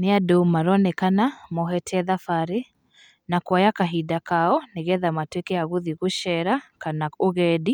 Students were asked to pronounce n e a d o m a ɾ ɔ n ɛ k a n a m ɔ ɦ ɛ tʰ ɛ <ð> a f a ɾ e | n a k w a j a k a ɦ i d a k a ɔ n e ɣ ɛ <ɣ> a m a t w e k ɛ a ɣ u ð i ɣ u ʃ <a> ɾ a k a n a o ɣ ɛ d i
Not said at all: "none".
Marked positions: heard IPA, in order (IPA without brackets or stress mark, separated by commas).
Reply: ð, ð, ɛ